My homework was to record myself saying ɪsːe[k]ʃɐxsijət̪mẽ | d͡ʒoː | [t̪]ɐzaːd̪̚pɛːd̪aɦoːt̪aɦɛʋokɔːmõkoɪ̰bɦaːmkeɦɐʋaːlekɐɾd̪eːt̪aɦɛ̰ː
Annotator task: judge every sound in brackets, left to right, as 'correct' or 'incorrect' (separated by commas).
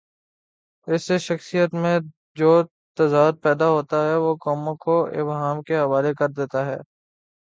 incorrect, correct